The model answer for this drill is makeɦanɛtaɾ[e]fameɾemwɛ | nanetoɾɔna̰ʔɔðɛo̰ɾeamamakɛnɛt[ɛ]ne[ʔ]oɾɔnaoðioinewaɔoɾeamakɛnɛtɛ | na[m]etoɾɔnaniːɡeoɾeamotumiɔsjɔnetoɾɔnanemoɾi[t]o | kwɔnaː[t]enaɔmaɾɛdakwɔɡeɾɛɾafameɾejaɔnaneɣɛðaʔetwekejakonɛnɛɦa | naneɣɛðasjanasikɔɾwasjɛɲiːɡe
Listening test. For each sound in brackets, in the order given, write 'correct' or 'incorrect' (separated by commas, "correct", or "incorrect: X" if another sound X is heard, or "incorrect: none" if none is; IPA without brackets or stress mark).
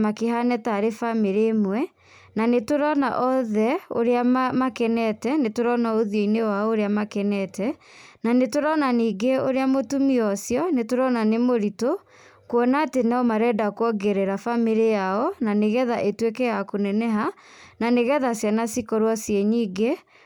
correct, correct, incorrect: t, incorrect: n, correct, correct